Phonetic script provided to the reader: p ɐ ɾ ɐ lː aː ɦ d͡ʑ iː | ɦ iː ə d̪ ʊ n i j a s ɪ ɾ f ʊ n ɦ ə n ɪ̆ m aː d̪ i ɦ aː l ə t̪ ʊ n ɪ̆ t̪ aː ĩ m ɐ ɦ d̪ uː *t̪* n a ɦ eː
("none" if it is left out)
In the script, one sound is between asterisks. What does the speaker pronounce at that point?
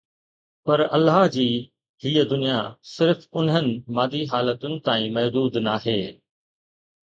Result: d̪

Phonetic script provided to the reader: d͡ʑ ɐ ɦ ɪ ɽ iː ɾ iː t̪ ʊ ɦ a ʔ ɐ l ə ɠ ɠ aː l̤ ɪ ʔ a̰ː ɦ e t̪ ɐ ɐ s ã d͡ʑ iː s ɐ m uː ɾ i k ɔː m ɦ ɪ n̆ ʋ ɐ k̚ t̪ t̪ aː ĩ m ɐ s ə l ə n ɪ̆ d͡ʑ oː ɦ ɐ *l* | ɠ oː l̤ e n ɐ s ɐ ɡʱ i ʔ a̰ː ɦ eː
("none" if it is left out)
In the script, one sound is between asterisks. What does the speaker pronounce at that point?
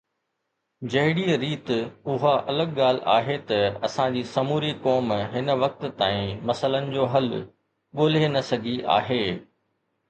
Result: l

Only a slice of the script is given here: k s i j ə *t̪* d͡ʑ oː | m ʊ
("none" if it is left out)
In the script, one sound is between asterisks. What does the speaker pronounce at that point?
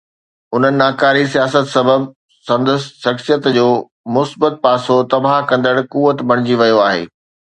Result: t̪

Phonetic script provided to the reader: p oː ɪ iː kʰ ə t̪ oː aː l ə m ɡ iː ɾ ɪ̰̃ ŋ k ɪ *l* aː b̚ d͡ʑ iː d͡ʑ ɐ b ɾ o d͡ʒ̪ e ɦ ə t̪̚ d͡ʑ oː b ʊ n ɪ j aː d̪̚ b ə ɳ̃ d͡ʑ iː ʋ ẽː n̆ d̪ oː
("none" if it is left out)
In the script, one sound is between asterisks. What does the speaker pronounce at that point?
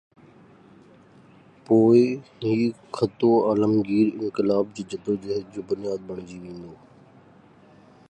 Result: l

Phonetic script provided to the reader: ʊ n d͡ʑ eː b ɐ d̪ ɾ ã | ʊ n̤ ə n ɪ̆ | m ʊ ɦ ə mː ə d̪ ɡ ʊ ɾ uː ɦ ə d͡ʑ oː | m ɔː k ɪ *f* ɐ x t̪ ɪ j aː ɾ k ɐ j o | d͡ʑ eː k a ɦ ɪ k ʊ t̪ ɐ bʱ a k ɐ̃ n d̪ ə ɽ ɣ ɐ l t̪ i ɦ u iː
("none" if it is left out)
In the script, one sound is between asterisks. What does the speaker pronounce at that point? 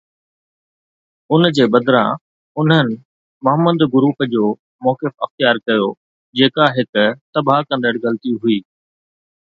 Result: f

